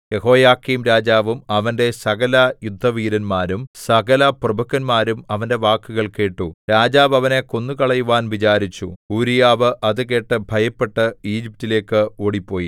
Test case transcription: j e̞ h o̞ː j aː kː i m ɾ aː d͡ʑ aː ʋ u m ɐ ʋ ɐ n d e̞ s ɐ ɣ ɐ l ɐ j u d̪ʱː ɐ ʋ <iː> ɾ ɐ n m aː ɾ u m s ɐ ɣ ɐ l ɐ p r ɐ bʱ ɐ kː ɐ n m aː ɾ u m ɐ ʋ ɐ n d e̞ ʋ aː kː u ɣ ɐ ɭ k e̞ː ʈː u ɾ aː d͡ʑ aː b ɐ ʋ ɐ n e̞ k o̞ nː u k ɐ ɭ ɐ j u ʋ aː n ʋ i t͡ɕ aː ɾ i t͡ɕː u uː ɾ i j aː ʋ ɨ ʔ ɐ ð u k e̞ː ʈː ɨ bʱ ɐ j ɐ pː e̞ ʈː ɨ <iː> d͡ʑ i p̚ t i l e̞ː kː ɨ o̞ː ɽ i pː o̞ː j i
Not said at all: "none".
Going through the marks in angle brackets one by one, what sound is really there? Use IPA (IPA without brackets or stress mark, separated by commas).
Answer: iː, iː